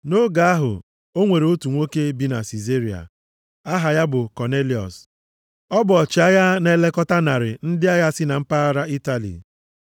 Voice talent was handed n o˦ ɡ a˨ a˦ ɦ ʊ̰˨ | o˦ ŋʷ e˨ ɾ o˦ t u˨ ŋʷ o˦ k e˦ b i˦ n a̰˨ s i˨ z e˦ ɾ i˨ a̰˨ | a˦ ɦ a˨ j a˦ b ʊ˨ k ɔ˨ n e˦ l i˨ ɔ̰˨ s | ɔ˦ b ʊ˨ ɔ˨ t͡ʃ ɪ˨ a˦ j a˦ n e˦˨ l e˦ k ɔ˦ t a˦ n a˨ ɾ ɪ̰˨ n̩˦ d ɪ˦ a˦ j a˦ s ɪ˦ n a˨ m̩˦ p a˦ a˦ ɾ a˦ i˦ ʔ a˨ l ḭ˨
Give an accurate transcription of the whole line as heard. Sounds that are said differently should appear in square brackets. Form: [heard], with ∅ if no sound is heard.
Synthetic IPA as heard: n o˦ ɡ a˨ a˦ ɦ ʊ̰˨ | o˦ ŋʷ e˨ ɾ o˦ t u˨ ŋʷ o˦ k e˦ b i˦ n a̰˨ s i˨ z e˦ ɾ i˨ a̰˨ | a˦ ɦ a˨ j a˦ b ʊ˨ k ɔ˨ n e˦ l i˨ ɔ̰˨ s | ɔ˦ b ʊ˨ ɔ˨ t͡ʃ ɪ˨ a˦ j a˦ n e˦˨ l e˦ k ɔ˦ t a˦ n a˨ ɾ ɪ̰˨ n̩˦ d ɪ˦ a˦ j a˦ s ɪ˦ n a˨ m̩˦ p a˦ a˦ ɾ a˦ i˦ [t] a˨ l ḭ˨